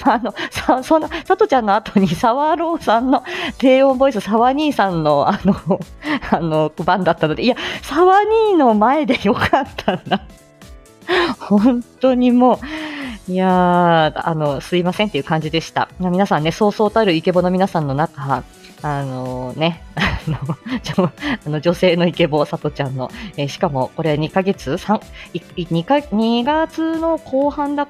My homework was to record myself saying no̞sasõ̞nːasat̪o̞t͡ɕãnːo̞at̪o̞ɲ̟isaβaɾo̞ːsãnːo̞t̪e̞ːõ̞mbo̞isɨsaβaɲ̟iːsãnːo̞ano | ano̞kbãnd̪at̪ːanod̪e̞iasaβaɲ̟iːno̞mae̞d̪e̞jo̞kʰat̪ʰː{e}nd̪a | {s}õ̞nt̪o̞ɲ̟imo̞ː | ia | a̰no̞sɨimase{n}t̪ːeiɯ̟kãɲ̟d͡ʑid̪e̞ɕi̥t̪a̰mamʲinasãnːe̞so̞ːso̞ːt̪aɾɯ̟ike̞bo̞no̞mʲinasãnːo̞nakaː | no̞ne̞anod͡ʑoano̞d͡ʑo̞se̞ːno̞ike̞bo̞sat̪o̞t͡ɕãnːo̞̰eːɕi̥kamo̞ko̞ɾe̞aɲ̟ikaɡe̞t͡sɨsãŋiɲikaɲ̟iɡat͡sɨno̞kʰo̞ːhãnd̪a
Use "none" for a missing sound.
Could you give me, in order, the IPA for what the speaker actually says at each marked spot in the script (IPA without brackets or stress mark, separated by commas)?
a, h, n